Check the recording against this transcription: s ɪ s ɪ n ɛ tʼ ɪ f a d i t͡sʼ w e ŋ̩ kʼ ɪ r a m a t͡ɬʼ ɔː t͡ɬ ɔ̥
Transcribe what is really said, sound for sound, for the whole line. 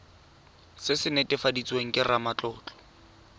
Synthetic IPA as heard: s ɪ s ɪ n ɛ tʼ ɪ f a d i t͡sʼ w e ŋ̩ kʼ ɪ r a m a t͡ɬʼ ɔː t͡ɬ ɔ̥